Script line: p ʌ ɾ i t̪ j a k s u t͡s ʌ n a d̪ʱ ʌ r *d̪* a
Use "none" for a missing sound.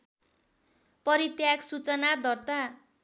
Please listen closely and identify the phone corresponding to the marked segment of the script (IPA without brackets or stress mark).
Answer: t̪